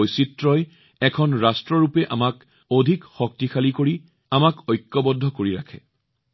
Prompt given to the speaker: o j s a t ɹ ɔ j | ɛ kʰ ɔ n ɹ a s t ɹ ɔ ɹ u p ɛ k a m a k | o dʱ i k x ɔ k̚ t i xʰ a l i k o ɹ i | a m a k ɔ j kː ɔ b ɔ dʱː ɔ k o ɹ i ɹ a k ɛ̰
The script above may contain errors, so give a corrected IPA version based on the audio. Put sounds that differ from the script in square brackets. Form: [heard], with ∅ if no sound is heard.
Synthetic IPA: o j s [i] t ɹ ɔ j | ɛ kʰ ɔ n ɹ a s t ɹ ɔ ɹ u p ɛ [ʔ] a m a k | o dʱ i k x ɔ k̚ t i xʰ a l i k o ɹ i | a m a k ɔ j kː ɔ b ɔ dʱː ɔ k o ɹ i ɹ a [kʰ] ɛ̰